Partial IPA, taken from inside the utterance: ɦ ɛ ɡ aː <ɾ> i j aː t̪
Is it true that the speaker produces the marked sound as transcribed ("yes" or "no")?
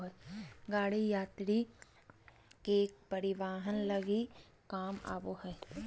no